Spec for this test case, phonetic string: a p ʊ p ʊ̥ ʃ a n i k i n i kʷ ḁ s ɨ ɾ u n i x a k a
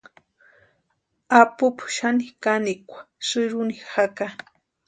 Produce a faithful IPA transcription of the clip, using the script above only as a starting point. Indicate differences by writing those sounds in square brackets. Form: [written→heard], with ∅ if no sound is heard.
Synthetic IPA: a p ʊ p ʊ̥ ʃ a n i k [i→a] n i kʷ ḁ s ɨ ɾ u n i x a k a